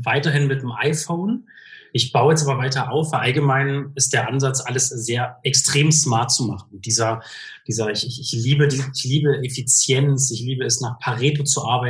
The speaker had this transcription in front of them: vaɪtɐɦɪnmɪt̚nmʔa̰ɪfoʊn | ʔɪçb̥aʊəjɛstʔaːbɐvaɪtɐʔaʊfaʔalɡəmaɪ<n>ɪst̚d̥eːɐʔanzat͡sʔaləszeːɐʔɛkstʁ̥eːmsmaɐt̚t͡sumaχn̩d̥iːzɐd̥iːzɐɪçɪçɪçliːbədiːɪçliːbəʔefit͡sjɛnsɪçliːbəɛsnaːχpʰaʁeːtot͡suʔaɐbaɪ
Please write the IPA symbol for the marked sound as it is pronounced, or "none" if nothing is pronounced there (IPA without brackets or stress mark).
n